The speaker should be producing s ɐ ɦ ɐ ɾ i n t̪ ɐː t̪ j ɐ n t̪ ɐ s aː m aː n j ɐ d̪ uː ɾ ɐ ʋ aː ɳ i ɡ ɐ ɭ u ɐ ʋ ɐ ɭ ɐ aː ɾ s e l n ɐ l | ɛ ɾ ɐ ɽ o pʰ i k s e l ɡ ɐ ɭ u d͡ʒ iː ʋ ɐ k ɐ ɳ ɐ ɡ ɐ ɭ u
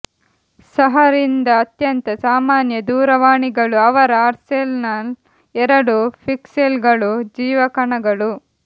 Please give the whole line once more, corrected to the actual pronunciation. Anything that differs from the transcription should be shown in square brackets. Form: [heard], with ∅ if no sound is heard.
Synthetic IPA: s ɐ ɦ ɐ ɾ i n [d̪] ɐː t̪ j ɐ n t̪ ɐ s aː m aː n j ɐ d̪ uː ɾ ɐ ʋ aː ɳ i ɡ ɐ ɭ u ɐ ʋ ɐ [ɾ] ɐ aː ɾ s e l n ɐ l | ɛ ɾ ɐ ɽ [u] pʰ i k s e l ɡ ɐ ɭ u d͡ʒ iː ʋ ɐ k ɐ ɳ ɐ ɡ ɐ ɭ u